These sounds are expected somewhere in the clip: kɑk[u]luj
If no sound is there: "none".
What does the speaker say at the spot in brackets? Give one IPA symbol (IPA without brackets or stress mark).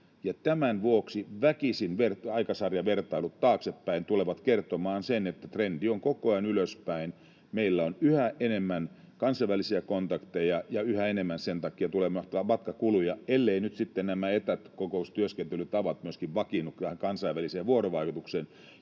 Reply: u